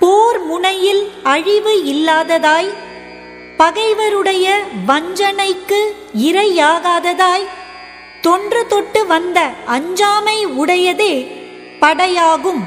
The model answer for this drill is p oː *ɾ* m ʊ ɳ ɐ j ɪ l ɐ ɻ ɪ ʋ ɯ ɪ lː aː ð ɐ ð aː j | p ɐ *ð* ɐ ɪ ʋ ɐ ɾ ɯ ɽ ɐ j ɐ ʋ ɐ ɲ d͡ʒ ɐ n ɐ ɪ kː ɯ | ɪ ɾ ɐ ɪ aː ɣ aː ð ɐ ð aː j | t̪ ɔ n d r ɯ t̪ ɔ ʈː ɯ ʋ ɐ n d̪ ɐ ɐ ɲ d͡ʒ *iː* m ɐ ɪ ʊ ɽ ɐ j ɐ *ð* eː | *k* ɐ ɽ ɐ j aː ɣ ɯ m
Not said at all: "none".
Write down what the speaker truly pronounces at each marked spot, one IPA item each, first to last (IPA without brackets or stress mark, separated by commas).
ɾ, ɣ, aː, ð, p